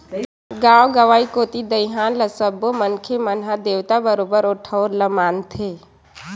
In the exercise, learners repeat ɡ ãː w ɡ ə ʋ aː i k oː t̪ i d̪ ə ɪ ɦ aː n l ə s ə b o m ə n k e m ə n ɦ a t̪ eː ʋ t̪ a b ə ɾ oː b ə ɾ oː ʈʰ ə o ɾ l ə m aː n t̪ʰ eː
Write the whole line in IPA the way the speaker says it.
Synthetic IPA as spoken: ɡ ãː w ɡ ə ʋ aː i k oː t̪ i d̪ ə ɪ ɦ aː n l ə s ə b o m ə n kʰ e m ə n ɦ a d̪ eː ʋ t̪ a b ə ɾ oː b ə ɾ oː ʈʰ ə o ɾ l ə m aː n t̪ʰ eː